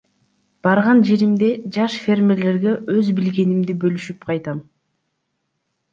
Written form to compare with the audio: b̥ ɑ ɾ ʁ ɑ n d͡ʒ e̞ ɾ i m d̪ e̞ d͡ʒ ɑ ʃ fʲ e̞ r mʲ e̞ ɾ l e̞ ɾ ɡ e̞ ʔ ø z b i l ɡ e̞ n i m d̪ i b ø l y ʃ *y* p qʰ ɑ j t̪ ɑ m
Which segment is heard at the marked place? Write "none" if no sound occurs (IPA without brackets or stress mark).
y